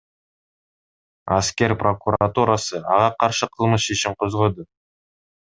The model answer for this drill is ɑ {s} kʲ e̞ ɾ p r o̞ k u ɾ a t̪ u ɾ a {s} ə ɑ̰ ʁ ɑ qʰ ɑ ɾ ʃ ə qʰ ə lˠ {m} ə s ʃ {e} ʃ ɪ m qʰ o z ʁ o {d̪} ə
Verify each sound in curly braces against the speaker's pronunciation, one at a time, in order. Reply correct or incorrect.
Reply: correct, correct, correct, correct, correct

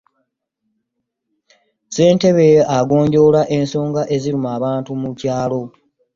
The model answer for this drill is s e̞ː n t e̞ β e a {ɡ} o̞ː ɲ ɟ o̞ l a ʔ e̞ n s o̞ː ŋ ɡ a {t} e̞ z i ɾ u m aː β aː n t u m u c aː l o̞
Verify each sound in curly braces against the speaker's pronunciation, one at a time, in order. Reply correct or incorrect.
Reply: correct, incorrect

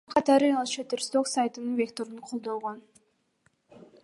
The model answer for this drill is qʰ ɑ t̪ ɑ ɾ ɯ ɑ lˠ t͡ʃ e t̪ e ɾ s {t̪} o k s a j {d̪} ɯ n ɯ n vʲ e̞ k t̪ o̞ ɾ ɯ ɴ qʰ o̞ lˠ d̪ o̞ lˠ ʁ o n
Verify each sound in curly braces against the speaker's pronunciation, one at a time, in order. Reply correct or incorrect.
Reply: correct, incorrect

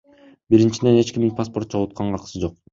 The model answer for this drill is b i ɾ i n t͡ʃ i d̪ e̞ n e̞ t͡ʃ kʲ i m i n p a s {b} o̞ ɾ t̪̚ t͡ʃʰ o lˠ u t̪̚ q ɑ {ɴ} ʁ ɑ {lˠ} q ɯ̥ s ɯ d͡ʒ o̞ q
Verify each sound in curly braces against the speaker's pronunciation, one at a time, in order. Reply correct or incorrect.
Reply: incorrect, correct, incorrect

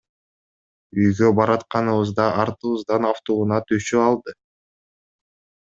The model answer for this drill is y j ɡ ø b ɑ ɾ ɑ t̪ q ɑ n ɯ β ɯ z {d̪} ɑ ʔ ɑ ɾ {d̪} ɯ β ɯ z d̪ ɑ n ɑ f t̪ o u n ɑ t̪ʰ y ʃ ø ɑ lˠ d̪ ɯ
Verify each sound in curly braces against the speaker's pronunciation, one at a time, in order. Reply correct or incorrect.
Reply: correct, incorrect

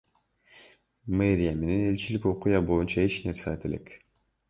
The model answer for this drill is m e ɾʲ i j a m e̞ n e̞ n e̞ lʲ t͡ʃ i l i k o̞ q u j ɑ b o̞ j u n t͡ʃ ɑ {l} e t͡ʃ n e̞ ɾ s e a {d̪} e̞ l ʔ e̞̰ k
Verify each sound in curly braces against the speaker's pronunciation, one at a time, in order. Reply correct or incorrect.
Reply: incorrect, incorrect

